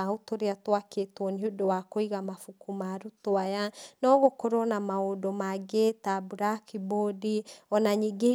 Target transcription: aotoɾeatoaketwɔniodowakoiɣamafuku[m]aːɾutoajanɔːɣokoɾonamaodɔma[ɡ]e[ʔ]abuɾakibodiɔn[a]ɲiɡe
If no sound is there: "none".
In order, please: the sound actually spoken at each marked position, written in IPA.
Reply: m, ɡ, t, a

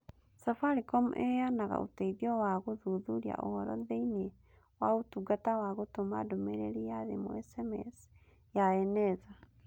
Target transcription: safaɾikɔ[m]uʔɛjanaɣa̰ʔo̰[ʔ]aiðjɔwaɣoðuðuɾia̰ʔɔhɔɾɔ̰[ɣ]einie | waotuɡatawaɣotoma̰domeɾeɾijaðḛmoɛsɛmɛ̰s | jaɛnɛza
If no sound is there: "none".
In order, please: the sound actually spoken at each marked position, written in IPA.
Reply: m, t, ð

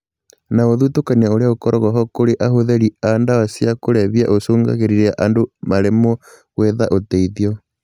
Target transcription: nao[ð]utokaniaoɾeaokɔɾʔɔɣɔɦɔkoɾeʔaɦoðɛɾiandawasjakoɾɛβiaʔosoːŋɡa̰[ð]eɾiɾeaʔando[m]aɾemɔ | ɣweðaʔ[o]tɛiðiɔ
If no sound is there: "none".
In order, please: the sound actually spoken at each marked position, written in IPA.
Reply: ð, ɣ, m, o

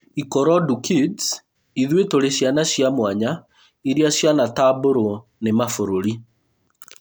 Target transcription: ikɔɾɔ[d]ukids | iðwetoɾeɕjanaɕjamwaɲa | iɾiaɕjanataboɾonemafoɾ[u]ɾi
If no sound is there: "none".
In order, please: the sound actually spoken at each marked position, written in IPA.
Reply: d, o

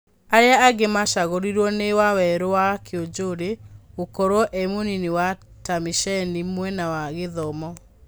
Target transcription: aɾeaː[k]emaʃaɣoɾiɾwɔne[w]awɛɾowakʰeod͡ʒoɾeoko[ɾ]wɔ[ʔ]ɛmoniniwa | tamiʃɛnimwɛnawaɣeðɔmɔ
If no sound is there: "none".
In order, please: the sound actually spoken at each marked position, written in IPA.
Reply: ɡ, w, ɾ, ʔ

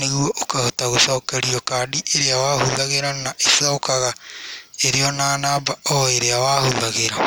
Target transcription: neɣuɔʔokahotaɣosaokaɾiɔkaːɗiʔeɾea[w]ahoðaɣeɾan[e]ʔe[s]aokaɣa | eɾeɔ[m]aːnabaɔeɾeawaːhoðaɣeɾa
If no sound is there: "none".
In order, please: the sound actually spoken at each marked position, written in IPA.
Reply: w, a, s, n

